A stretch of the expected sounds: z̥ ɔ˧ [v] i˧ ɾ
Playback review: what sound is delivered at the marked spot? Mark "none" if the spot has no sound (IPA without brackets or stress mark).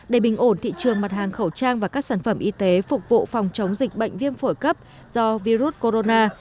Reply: v